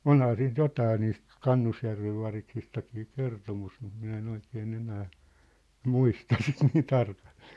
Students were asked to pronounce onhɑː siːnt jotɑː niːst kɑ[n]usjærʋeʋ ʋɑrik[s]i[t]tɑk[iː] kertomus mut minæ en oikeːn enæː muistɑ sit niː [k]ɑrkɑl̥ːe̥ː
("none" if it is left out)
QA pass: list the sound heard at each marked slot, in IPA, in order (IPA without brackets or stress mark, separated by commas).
nː, s, s, iː, t